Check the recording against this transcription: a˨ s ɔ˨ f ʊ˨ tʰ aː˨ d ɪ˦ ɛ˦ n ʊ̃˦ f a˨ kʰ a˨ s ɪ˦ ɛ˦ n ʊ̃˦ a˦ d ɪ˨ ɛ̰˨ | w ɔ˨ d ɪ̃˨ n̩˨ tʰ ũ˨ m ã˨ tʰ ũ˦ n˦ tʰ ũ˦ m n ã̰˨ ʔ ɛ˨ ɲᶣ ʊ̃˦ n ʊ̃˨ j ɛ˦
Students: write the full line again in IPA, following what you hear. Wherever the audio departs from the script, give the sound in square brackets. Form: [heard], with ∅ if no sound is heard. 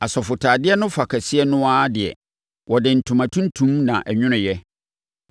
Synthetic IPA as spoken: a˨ s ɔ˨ f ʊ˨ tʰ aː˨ d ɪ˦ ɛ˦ n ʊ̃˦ f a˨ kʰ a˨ s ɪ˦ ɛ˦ n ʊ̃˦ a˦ d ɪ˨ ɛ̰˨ | w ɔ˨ d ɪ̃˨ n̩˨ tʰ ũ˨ m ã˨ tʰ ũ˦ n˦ tʰ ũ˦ m n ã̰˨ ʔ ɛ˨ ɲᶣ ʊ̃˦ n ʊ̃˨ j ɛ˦